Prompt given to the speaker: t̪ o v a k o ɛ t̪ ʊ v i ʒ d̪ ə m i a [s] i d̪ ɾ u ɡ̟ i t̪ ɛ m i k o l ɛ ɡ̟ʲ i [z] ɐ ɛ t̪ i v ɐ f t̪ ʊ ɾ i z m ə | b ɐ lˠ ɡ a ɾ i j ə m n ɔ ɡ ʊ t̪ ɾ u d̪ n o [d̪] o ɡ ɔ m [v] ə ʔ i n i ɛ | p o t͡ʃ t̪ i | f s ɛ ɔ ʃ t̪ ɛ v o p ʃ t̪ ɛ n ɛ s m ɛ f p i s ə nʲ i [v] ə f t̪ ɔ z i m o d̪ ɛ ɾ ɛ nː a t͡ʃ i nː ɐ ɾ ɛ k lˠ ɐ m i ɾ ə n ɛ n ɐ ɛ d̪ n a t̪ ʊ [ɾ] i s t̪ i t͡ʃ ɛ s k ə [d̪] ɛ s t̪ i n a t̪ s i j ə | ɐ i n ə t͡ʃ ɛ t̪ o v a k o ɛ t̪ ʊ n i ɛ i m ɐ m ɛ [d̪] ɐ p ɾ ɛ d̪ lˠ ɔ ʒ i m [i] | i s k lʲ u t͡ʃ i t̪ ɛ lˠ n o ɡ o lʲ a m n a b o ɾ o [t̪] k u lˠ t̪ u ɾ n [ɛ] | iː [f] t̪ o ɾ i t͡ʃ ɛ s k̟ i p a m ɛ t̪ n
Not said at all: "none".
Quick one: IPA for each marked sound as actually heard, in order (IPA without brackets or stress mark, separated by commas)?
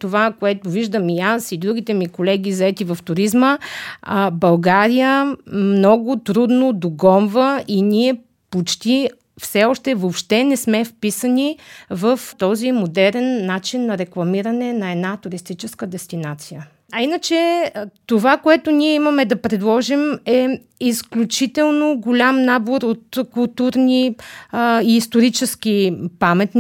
s, z, d̪, v, v, ɾ, d̪, d̪, ɛ, t̪, i, s